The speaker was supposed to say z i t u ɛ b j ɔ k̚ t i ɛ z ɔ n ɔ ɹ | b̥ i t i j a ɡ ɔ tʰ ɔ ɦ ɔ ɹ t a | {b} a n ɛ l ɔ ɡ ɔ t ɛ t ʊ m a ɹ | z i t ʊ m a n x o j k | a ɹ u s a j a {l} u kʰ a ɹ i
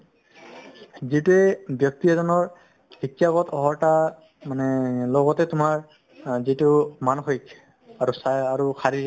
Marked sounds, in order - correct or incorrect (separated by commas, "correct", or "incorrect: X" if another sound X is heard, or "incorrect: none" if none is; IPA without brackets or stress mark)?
incorrect: m, incorrect: ɹ